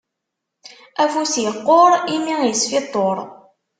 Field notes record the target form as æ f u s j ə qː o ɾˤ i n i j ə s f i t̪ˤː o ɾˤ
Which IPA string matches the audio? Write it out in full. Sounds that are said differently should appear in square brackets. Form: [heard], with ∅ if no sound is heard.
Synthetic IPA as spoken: æ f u s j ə qː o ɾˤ i [m] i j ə s f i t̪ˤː o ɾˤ